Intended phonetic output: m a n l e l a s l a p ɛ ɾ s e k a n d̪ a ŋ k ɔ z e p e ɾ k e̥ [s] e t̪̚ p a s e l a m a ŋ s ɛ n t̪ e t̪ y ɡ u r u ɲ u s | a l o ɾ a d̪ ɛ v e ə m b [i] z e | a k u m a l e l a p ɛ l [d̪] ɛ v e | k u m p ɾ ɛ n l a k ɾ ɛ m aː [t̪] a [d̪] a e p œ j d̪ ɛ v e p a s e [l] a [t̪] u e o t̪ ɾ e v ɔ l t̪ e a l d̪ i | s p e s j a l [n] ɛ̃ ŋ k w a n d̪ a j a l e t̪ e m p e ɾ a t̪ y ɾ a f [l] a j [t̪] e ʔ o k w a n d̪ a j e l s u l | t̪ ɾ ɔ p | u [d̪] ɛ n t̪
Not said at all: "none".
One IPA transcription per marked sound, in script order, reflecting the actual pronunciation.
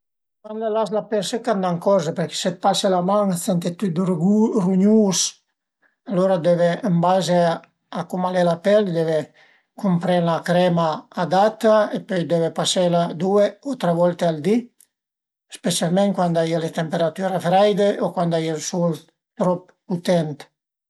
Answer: s, a, d̪, d̪, t̪, l, d̪, m, ɾ, d̪, t̪

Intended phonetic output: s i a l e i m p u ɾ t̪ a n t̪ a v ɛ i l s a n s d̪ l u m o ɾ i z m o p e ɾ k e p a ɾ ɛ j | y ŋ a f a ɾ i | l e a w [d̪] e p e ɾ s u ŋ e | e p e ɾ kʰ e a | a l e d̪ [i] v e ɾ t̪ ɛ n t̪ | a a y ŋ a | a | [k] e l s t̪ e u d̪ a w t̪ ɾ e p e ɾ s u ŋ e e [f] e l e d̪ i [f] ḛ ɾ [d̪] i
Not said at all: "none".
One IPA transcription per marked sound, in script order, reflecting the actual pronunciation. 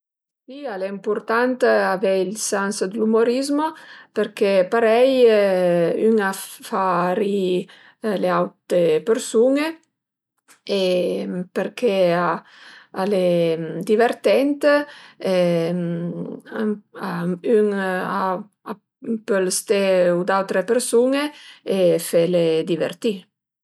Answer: t̪, i, p, f, v, t̪

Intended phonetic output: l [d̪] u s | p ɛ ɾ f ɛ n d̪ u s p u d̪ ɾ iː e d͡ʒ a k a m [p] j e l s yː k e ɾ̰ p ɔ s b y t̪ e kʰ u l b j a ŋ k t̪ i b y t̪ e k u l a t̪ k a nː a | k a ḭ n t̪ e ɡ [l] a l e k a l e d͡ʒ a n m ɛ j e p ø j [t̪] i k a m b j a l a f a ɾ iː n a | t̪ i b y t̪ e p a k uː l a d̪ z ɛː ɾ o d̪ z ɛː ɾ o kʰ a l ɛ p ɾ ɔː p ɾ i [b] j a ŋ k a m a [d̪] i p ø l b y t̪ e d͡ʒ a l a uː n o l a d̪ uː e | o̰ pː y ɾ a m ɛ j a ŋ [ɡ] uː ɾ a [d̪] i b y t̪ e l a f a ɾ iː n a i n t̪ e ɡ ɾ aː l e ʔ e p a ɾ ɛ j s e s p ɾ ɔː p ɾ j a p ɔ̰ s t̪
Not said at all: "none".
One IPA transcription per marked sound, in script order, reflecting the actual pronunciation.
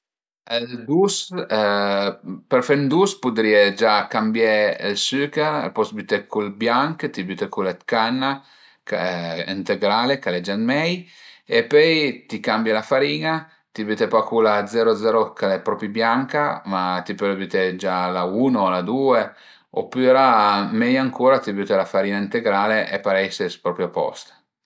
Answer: d̪, b, ɾ, t̪, b, t̪, k, t̪

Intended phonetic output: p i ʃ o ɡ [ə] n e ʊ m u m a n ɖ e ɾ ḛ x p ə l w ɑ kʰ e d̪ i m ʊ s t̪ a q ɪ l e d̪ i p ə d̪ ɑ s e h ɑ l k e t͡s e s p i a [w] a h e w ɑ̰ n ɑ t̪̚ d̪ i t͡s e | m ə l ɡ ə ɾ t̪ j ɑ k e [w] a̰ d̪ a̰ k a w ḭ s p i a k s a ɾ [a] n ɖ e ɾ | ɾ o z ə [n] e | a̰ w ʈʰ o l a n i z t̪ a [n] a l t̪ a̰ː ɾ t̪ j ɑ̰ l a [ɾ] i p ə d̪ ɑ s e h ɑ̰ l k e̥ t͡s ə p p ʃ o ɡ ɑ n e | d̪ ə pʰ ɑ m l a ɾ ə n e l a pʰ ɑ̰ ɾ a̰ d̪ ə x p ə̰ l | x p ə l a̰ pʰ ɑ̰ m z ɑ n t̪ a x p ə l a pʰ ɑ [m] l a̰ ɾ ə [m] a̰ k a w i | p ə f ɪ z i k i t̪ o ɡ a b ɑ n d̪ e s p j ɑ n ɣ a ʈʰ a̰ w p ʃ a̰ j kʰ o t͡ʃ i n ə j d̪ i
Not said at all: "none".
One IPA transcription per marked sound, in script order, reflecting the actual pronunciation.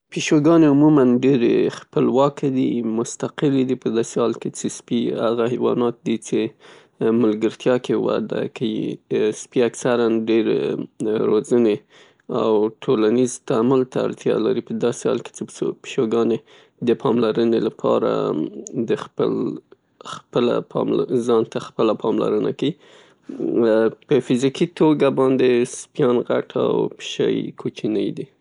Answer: ɑ, ɣ, w, a, n, m, ɾ, m, n

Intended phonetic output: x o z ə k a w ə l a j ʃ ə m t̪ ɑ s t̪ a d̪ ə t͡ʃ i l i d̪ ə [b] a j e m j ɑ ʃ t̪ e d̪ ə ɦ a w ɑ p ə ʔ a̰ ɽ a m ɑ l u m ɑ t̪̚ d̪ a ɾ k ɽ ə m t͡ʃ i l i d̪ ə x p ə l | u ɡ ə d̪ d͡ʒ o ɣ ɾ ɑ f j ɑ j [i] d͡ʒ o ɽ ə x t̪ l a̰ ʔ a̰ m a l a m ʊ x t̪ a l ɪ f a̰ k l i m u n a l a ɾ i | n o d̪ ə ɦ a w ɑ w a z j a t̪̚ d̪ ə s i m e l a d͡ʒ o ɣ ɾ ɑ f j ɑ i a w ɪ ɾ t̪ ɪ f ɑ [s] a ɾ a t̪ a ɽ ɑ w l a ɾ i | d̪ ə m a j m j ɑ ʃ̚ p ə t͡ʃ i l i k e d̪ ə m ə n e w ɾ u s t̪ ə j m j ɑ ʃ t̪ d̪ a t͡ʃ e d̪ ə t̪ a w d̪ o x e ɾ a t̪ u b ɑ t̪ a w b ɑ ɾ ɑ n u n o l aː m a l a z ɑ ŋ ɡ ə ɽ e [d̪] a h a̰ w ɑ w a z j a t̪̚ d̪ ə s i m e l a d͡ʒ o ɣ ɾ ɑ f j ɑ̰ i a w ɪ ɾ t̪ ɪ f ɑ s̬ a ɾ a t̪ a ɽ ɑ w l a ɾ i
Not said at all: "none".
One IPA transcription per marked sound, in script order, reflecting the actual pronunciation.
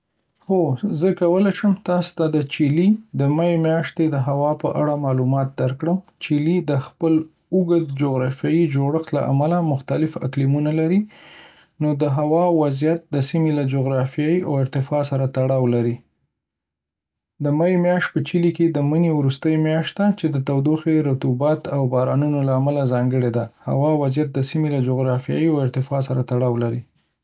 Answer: m, i, s, d̪

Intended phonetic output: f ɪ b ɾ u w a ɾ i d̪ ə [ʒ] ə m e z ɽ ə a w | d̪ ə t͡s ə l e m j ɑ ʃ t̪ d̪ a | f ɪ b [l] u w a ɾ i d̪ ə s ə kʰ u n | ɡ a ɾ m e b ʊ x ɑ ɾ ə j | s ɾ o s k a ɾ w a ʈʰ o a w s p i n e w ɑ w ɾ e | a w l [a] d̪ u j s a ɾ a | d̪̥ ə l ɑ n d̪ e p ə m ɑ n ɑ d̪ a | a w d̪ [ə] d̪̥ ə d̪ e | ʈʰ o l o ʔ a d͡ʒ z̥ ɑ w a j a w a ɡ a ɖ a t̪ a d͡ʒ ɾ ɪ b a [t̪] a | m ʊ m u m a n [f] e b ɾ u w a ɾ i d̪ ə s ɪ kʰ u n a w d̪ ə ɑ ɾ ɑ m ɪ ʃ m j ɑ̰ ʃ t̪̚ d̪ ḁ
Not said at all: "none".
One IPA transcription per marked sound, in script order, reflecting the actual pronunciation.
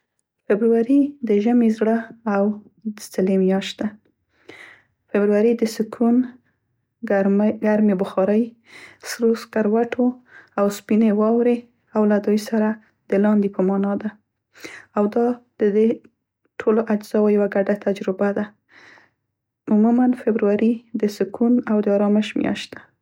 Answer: ʒ, ɾ, a, ɑ, d̪, f

